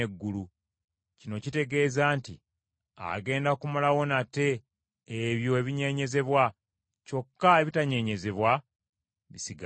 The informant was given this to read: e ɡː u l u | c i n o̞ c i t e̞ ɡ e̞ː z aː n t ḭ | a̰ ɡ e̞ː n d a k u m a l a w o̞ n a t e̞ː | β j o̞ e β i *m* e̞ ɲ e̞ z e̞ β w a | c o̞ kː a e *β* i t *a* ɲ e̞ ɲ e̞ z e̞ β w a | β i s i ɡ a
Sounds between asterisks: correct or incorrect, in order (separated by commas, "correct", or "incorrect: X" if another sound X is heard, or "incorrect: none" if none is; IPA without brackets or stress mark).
incorrect: ɲ, correct, correct